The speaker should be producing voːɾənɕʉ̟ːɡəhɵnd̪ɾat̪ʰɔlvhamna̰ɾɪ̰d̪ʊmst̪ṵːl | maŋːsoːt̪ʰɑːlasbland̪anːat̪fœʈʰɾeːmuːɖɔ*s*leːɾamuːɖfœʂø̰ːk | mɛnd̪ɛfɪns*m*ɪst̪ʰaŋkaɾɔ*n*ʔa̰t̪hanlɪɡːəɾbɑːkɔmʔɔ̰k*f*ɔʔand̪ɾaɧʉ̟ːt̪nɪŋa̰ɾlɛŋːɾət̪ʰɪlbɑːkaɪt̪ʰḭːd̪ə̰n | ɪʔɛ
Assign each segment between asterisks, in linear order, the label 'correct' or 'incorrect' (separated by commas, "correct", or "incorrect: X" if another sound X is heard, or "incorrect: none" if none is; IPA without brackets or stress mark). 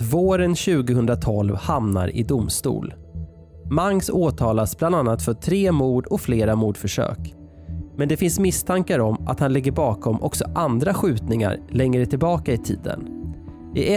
incorrect: f, correct, incorrect: m, incorrect: s